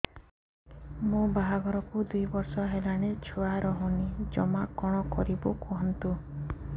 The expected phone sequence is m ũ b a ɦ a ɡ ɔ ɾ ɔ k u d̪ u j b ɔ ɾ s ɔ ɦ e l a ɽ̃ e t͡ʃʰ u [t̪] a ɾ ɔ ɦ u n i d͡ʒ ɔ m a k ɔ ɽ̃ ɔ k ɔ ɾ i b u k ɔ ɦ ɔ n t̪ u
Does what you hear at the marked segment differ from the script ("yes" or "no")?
yes